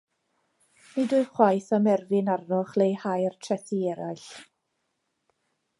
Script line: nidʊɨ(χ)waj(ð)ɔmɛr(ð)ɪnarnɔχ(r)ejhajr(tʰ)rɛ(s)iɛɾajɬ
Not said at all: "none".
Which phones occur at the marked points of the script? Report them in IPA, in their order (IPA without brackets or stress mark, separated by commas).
χ, θ, v, l, tʰ, θ